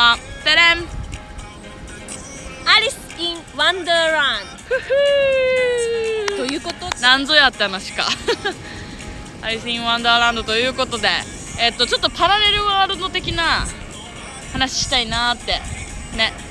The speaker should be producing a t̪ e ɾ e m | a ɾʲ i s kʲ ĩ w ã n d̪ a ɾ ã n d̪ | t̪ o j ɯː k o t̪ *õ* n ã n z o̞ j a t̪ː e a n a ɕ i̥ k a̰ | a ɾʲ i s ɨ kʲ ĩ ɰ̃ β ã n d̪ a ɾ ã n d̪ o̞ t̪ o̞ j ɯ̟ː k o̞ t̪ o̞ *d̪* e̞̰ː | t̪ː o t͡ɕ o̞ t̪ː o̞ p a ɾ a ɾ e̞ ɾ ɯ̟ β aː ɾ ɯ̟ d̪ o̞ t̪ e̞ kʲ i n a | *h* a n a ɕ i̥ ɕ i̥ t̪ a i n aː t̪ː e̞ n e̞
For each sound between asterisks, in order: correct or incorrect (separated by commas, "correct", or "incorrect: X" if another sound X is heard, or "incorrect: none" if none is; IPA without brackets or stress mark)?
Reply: incorrect: o, correct, correct